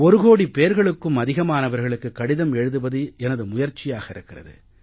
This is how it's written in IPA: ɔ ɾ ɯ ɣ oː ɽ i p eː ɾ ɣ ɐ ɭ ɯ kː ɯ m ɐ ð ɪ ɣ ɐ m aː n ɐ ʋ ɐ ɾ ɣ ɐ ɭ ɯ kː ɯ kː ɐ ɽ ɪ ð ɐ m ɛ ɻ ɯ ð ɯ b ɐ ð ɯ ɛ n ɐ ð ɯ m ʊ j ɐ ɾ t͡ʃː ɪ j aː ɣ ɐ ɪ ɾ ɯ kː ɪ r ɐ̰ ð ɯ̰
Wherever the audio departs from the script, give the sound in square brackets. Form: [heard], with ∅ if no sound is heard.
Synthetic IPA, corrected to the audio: ɔ ɾ ɯ ɣ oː ɽ i p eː ɾ ɣ ɐ ɭ ɯ kː ɯ m ɐ ð ɪ ɣ ɐ m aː n ɐ ʋ ɐ ɾ ɣ ɐ ɭ ɯ kː ɯ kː ɐ ɽ ɪ ð ɐ m ɛ ɻ ɯ ð ɯ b ɐ ð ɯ ɛ n ɐ ð ɯ m ʊ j ɐ ɾ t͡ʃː ɪ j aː ɣ ɐ ɪ ɾ ɯ kː ɪ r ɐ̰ ð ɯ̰